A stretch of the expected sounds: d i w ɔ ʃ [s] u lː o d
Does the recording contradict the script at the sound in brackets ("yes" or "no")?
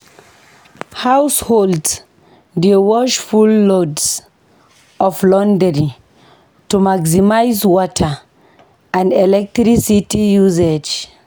yes